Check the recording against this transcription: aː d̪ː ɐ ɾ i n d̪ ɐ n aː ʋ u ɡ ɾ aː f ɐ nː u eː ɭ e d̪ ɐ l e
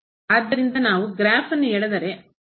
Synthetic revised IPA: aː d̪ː ɐ ɾ i n d̪ ɐ n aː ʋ u ɡ ɾ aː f ɐ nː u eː ɭ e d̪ ɐ ɾ e